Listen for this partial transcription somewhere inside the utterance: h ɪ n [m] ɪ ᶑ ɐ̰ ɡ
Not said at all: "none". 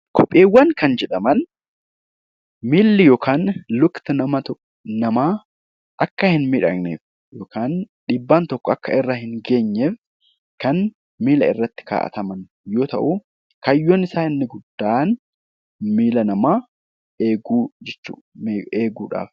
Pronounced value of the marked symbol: m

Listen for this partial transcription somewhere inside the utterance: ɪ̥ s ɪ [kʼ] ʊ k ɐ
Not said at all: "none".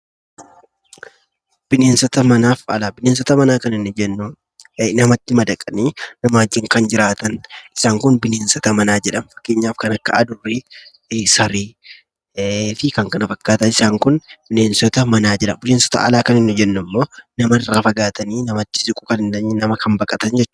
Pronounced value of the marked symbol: kʼ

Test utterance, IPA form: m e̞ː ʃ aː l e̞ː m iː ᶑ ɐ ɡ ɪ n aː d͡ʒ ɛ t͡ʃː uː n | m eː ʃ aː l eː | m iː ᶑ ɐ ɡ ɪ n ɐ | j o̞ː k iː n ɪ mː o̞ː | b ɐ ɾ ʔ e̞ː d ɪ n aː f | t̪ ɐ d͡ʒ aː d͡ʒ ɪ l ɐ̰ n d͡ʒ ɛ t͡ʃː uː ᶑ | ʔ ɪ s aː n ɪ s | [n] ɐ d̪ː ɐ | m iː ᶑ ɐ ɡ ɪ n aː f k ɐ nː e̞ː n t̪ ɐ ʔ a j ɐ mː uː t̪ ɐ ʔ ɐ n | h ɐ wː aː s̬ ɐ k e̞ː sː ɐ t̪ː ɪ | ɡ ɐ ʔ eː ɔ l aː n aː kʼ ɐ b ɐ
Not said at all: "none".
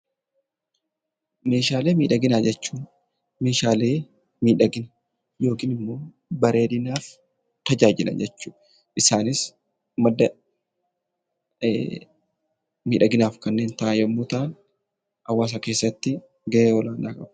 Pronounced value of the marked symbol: m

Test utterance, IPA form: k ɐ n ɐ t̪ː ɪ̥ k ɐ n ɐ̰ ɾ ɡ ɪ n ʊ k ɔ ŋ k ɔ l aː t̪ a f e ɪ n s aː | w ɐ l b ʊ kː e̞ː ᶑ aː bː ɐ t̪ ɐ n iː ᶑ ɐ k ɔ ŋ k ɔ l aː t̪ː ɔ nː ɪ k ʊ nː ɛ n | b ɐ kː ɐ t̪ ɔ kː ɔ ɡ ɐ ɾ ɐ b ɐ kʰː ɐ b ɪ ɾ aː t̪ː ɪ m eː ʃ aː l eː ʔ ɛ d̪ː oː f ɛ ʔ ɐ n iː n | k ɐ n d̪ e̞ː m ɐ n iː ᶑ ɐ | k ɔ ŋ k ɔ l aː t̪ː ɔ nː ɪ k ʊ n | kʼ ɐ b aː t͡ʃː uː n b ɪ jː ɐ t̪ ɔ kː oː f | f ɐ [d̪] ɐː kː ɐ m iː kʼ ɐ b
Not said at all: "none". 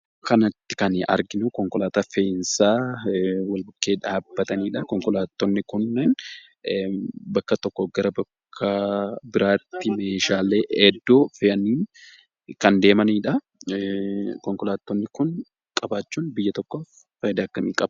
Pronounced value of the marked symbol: d̪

